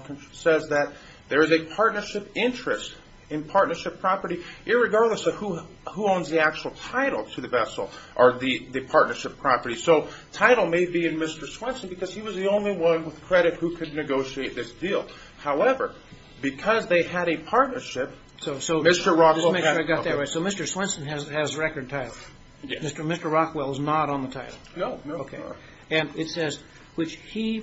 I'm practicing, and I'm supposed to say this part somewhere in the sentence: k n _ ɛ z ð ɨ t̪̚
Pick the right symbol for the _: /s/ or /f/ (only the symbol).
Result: s